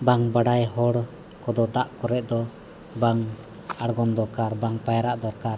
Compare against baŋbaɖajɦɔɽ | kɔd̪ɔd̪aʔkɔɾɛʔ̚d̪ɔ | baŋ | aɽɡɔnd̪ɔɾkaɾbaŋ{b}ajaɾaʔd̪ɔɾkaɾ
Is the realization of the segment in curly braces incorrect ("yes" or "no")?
yes